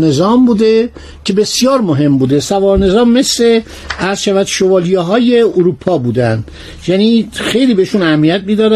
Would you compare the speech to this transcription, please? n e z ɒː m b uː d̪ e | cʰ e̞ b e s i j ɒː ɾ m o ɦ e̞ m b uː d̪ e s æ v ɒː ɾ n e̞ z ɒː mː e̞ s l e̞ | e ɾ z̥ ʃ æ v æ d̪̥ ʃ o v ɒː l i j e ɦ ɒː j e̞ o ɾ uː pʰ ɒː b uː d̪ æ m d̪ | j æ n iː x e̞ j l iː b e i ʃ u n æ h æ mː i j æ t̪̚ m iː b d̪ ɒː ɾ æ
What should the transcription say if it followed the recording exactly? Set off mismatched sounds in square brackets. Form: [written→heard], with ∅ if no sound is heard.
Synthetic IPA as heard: n e z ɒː m b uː d̪ e | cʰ e̞ b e s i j ɒː ɾ m o ɦ e̞ m b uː d̪ e s æ v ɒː ɾ n e̞ z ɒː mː e̞ s l e̞ | [e→æ] ɾ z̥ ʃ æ v æ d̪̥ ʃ o v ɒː l i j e ɦ ɒː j e̞ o ɾ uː pʰ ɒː b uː d̪ æ [m→n] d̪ | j æ n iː x e̞ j l iː b e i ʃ u n æ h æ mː i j æ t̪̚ m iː [b→∅] d̪ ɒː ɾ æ